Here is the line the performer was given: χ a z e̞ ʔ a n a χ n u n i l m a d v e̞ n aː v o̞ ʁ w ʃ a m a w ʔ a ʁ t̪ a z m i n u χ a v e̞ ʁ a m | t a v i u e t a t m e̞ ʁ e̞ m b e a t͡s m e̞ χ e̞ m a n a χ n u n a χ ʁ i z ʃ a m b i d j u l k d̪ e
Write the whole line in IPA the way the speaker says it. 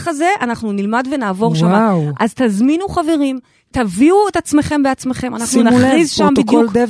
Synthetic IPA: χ a z e̞ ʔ a n a χ n u n i l m a d v e̞ n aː v o̞ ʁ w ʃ a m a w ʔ a z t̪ a z m i n u χ a v e̞ ʁ i m | t a v i u e t a t͡s m e̞ χ e̞ m b e a t͡s m e̞ χ e̞ m a n a χ n u n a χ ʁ i z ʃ a m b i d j u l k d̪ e